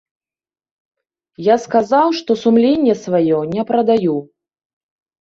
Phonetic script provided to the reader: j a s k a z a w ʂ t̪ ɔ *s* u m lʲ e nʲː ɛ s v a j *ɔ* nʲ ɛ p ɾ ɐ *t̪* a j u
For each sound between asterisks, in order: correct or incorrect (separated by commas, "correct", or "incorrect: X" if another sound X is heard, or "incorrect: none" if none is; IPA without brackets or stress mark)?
correct, correct, incorrect: d̪